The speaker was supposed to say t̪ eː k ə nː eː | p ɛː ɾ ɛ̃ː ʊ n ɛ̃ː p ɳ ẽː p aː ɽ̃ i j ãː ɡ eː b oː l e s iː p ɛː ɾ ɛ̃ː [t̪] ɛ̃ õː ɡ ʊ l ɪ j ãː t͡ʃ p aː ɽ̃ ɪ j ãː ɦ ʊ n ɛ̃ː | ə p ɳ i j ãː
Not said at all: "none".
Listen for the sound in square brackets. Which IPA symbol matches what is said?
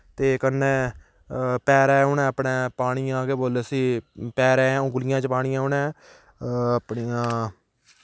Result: none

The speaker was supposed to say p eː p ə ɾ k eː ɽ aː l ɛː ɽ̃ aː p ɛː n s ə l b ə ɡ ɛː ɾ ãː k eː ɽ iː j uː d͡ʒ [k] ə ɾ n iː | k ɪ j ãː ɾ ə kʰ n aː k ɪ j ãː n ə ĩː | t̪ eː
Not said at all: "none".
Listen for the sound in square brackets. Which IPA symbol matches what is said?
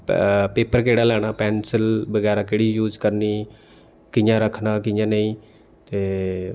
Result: k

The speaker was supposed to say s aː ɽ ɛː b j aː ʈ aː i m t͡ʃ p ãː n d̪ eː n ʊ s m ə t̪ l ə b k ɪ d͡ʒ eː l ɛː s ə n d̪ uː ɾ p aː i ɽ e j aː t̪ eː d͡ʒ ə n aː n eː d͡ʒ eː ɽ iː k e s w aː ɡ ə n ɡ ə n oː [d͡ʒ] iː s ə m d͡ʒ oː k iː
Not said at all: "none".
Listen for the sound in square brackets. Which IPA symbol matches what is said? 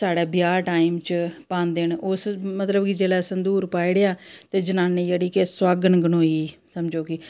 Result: none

